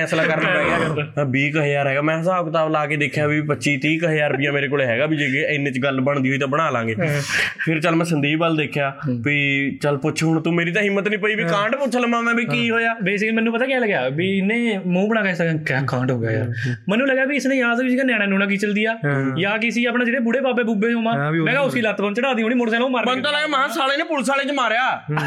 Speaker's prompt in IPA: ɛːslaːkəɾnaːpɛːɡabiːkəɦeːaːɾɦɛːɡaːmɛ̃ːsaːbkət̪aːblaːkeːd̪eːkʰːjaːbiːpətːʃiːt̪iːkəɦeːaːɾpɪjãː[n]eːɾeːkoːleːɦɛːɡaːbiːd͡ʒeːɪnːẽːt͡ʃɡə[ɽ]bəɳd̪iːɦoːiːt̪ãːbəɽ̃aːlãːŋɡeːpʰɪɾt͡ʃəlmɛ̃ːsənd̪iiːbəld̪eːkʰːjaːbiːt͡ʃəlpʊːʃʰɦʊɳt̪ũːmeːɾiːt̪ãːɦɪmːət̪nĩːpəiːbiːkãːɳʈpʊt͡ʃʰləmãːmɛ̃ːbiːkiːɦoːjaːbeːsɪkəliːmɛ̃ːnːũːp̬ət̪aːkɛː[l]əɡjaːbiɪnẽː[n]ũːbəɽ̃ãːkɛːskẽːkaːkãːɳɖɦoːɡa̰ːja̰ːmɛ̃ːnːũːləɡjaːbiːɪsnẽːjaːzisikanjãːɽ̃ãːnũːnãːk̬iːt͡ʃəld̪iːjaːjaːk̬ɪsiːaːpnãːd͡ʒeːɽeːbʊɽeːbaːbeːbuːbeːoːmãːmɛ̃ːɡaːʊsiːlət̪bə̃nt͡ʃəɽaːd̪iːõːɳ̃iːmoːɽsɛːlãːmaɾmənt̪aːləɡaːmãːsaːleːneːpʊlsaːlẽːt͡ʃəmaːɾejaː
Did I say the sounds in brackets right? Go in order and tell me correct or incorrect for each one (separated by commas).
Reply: incorrect, incorrect, correct, incorrect